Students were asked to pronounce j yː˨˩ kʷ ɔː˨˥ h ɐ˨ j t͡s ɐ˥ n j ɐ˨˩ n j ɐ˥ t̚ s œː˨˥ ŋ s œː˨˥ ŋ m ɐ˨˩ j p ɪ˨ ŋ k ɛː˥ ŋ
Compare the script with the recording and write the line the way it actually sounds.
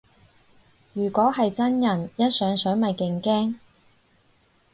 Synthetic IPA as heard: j yː˨˩ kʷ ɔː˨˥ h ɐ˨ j t͡s ɐ˥ n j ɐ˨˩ n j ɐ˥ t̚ s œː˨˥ ŋ s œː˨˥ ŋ m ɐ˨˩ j k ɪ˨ ŋ k ɛː˥ ŋ